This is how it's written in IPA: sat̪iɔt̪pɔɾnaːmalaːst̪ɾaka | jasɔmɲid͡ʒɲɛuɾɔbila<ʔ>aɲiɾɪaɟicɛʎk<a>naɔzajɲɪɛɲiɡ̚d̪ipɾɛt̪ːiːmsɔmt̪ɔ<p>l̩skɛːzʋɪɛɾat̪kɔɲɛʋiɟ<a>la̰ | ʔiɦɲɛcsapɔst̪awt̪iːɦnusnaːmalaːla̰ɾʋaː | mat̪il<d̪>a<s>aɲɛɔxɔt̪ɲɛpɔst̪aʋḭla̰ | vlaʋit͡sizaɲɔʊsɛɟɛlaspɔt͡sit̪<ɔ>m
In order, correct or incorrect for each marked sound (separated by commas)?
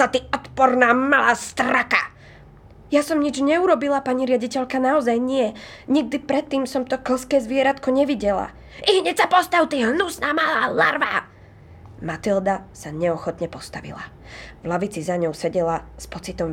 incorrect, correct, incorrect, incorrect, correct, correct, correct